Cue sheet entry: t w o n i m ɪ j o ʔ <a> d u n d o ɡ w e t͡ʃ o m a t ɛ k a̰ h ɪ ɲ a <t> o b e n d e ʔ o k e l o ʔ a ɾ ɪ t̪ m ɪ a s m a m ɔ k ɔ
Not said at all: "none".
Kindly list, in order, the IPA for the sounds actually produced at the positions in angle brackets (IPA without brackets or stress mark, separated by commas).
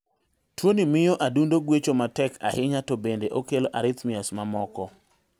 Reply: a, t